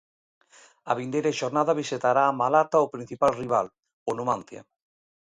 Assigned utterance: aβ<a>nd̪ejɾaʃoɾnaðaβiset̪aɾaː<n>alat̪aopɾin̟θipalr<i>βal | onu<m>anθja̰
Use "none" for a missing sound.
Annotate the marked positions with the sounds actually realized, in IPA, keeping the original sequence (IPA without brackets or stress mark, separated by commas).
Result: i, m, i, m